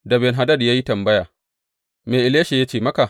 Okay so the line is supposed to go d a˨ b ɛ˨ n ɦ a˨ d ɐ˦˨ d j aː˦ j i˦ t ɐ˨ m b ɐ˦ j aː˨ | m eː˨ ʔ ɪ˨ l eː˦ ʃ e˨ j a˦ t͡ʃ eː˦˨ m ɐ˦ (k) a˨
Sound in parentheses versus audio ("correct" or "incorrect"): correct